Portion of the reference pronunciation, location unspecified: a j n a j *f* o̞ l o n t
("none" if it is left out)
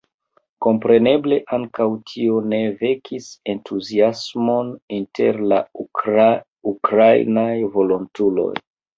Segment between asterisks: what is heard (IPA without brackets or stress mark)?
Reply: v